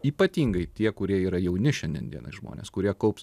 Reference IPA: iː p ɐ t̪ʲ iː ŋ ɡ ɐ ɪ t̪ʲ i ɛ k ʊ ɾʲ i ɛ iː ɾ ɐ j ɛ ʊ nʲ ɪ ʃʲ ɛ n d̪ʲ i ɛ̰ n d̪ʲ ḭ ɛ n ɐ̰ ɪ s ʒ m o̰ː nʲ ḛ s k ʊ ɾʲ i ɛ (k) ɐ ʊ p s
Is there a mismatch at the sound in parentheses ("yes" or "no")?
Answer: no